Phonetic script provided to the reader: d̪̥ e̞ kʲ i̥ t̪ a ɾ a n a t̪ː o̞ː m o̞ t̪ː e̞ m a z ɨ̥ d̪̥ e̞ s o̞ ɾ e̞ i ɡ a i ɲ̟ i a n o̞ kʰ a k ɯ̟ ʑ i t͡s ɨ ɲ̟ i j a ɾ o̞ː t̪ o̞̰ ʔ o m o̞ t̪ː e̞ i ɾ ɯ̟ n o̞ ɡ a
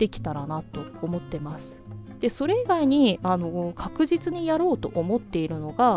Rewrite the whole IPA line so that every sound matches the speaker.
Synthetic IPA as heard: d̪̥ e̞ kʲ i̥ t̪ a ɾ a n a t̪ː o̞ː m o̞ t̪ː e̞ m a s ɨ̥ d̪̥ e̞ s o̞ ɾ e̞ i ɡ a i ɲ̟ i a n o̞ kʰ a k ɯ̟ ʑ i t͡s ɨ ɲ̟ i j a ɾ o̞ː t̪ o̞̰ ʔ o m o̞ t̪ː e̞ i ɾ ɯ̟ n o̞ ɡ a